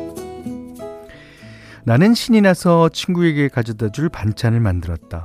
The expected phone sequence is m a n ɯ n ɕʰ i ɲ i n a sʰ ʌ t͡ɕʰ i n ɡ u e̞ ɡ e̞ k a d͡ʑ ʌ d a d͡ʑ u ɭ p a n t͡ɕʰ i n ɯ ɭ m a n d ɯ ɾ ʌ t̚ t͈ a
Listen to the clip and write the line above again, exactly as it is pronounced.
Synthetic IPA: n a n ɯ n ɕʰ i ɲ i n a sʰ ʌ t͡ɕʰ i n ɡ u e̞ ɡ e̞ k a d͡ʑ ʌ d a d͡ʑ u ɭ p a n t͡ɕʰ a n ɯ ɭ m a n d ɯ ɾ ʌ t̚ t͈ a